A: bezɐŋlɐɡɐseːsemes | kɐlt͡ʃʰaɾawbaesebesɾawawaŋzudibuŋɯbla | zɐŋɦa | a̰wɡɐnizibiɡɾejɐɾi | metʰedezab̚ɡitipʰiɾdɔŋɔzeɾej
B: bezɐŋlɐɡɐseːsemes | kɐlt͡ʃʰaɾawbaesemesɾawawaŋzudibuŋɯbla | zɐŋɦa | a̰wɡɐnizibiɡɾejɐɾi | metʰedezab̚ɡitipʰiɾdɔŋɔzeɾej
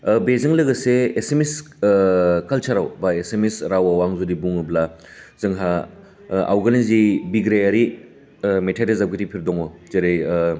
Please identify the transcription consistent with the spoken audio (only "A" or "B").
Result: B